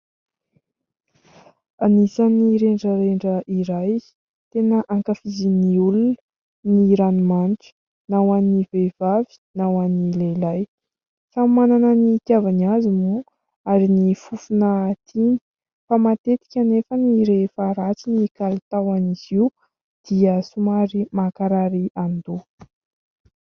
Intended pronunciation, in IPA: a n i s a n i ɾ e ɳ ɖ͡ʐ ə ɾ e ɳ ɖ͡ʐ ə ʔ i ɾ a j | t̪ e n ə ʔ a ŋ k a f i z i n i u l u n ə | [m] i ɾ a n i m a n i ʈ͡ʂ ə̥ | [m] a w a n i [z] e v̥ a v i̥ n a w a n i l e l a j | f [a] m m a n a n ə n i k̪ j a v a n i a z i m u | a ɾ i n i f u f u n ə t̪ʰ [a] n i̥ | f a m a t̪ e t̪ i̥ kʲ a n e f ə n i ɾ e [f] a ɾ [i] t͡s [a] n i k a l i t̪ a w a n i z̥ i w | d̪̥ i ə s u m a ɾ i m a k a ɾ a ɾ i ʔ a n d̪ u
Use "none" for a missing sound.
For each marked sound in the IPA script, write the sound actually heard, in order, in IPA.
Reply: n, n, v, a, i, f, a, i

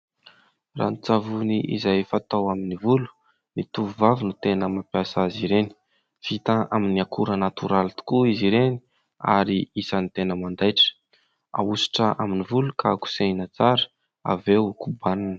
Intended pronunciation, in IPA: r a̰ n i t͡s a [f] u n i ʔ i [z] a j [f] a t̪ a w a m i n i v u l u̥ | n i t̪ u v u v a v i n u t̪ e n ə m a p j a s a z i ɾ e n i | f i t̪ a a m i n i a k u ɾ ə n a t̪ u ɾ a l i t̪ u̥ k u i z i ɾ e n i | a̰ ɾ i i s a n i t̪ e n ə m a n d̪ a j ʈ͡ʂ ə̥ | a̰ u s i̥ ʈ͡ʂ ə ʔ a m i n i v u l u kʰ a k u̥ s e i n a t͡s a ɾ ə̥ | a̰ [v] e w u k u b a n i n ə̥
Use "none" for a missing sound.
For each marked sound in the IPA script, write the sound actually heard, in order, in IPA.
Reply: v, z, f, v

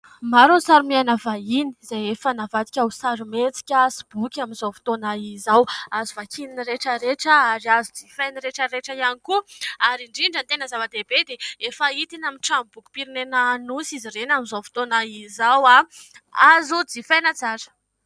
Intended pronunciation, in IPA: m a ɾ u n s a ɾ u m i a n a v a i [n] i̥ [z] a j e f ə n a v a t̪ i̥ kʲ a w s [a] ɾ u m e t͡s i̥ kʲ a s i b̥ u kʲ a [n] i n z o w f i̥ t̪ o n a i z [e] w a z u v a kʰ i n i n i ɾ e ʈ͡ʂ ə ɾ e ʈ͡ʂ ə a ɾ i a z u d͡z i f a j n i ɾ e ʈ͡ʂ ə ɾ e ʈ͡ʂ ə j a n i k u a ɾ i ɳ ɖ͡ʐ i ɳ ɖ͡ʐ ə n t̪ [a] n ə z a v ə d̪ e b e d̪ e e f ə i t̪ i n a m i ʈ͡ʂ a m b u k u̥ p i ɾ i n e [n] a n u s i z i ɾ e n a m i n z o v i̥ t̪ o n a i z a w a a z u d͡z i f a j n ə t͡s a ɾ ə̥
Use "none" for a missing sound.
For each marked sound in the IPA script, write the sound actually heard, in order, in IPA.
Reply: n, z, a, m, a, e, n

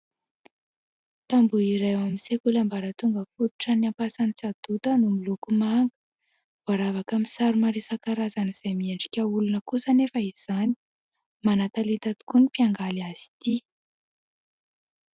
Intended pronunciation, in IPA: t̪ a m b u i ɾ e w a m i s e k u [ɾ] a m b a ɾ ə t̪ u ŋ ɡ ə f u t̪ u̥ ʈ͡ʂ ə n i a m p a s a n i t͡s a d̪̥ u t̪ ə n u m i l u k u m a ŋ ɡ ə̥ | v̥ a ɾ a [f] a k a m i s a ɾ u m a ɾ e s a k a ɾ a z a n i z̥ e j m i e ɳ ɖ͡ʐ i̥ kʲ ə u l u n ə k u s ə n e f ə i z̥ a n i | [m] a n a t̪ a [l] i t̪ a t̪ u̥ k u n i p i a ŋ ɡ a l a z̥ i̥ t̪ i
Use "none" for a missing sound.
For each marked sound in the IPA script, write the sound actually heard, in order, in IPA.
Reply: l, v, m, l

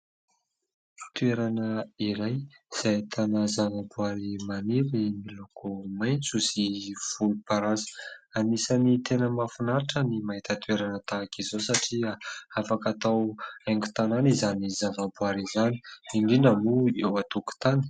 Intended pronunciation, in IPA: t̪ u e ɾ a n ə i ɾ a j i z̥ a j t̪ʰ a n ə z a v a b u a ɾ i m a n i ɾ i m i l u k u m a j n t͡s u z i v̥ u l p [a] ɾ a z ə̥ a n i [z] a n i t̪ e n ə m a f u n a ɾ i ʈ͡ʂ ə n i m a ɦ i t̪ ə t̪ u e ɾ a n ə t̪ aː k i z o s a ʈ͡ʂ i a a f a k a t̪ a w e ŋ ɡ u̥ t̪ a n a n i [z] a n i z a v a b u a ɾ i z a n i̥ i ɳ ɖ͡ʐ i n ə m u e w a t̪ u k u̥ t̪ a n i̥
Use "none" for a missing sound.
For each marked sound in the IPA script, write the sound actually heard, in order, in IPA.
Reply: a, s, z

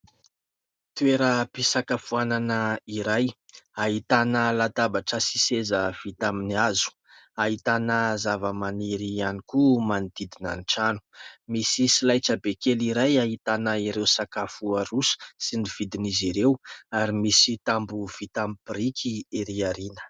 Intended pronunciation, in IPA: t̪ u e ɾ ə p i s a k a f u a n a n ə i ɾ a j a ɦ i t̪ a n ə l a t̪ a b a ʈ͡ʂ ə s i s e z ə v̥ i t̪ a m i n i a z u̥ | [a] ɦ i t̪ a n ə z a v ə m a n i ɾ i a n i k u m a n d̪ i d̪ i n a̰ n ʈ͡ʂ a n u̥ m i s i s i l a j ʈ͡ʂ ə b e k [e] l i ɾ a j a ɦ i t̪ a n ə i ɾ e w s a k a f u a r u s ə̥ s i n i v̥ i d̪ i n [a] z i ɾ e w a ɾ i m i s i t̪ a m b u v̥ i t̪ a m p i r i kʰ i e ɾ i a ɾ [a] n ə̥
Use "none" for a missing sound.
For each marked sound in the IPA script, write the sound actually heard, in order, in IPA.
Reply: a, e, i, i

